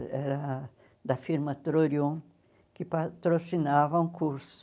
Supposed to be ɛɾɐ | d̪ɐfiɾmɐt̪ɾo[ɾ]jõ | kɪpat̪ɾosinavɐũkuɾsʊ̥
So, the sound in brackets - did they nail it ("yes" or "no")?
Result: yes